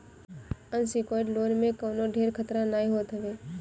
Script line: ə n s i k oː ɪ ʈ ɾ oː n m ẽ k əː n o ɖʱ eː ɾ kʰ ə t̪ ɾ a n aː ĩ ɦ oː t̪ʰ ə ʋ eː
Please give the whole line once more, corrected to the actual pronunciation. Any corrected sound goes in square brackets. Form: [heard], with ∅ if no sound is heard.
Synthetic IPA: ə n s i k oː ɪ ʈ [l] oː n m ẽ k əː n o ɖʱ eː ɾ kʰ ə t̪ ɾ a n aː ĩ ɦ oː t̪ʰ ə ʋ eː